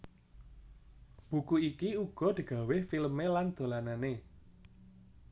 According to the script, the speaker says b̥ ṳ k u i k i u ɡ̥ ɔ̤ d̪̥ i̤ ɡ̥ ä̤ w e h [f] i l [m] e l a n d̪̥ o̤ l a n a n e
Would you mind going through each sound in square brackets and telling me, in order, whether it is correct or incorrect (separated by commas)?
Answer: correct, correct